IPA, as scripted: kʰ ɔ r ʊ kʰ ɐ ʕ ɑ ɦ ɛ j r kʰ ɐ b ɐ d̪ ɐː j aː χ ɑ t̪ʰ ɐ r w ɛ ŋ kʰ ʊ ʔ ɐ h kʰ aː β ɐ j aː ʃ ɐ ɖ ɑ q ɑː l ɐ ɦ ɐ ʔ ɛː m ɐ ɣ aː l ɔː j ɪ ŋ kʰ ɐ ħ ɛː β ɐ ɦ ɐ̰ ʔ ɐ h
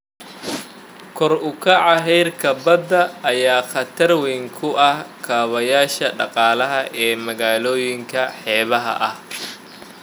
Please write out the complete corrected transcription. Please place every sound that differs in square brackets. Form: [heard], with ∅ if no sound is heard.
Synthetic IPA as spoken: kʰ ɔ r ʊ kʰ ɐ ʕ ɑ ɦ ɛ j r kʰ ɐ b ɐ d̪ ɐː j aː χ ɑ t̪ʰ ɐ r w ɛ ŋ kʰ ʊ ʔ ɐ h kʰ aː β ɐ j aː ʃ ɐ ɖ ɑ q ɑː l ɐ ɦ ɐ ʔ ɛː m ɐ ɣ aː l ɔː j ɪ ŋ kʰ ɐ ħ ɛː β ɐ ɦ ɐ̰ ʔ ɐ h